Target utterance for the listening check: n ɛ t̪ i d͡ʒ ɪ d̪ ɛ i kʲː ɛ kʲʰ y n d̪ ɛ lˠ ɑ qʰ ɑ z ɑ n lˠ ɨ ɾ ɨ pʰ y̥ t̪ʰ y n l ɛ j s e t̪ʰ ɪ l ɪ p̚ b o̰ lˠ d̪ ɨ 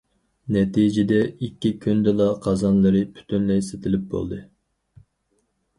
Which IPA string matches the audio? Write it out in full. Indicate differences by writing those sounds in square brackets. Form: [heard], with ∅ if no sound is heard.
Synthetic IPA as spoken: n ɛ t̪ i d͡ʒ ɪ d̪ ɛ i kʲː [i] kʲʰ y n d̪ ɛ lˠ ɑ qʰ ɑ z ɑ n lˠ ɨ ɾ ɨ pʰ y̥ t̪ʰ y n l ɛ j s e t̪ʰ ɪ l ɪ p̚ b o̰ lˠ d̪ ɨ